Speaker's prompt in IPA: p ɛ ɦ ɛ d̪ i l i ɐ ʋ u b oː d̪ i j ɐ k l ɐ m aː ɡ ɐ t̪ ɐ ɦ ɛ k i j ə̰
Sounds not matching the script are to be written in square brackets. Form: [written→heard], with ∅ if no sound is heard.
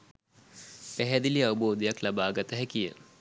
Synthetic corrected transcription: p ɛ ɦ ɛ d̪ i l i ɐ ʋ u b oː d̪ i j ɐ k l ɐ [m→b] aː ɡ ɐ t̪ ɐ ɦ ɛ k i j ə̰

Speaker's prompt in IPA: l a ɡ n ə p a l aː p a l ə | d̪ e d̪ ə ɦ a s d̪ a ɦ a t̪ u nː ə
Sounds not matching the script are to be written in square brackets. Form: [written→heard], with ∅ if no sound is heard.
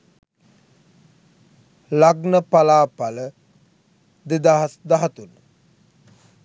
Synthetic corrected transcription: l a ɡ n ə p a l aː p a l ə | d̪ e d̪ [ə→a] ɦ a s d̪ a ɦ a t̪ u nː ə

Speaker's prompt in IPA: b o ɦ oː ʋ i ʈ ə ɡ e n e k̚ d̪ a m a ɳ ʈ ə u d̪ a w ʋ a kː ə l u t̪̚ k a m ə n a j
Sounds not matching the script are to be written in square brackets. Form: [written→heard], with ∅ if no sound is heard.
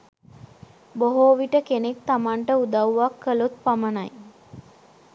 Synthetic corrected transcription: b o ɦ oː ʋ i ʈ ə [ɡ→k] e n e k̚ [d̪→t̪] a m a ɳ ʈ ə u d̪ a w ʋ a kː ə l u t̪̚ [k→p] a m ə n a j

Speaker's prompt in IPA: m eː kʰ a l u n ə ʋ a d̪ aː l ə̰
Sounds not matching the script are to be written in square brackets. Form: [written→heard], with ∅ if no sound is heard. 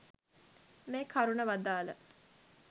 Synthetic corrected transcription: m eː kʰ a [l→ɾ] u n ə ʋ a d̪ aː l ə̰

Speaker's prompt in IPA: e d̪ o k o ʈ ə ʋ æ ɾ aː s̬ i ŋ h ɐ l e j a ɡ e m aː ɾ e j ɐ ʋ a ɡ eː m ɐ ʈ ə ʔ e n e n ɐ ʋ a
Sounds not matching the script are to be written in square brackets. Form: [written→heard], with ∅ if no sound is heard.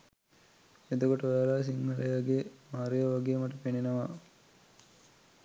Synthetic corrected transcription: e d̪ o k o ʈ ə ʋ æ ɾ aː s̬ i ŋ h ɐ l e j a ɡ e m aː ɾ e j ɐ ʋ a ɡ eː m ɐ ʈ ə [ʔ→p] e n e n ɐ ʋ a

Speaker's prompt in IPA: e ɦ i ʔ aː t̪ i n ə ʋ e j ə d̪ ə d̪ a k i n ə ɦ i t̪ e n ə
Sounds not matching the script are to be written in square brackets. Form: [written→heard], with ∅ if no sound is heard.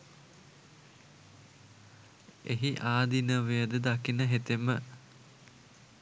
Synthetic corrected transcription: e ɦ i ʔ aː [t̪→d̪] i n ə ʋ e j ə d̪ ə d̪ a k i n ə ɦ [i→e] t̪ e [n→m] ə

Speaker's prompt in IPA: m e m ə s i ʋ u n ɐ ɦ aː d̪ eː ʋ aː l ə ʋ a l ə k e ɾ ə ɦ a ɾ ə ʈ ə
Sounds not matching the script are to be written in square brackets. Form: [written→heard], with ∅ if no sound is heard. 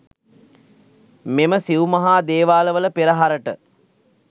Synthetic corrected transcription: m e m ə s i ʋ u [n→m] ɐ ɦ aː d̪ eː ʋ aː l ə ʋ [a→ə] l ə [k→p] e ɾ ə ɦ a ɾ ə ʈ ə

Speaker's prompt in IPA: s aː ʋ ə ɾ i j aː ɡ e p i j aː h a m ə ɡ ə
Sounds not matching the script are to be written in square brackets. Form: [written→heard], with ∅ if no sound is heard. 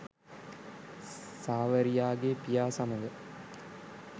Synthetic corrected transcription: s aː ʋ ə ɾ i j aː ɡ e p i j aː [h→s] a m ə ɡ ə

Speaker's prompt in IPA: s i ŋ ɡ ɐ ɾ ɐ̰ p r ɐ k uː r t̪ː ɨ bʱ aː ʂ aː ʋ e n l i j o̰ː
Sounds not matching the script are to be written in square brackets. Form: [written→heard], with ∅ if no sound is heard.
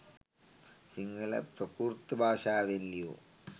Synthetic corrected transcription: s i ŋ ɡ ɐ [ɾ→l] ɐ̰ p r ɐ k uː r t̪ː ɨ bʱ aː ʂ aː ʋ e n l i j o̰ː

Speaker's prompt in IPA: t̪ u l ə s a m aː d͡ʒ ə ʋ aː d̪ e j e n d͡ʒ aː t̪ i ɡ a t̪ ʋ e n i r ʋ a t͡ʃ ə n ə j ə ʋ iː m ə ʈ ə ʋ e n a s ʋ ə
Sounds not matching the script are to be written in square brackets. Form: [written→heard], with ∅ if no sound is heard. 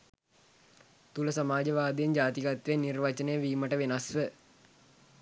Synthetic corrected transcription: t̪ u l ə s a m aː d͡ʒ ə ʋ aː d̪ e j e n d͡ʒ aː t̪ i ɡ a t̪ ʋ e n i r ʋ a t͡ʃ ə n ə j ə ʋ iː m ə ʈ ə ʋ e n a s ʋ ə

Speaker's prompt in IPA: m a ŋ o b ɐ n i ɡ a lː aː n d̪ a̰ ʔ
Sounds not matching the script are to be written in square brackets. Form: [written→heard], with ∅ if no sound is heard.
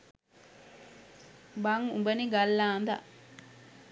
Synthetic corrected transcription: [m→b] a ŋ [o→u] b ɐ n i ɡ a lː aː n d̪ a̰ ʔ

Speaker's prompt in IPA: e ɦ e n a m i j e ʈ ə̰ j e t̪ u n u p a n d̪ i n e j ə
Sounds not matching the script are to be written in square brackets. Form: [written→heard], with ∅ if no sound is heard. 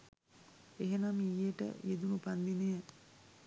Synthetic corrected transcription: e ɦ e n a m i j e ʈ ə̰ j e [t̪→d̪] u n u p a n d̪ i n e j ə

